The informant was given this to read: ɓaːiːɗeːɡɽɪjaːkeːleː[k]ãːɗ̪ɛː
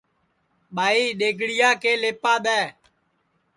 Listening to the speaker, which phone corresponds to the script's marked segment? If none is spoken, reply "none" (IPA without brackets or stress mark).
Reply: p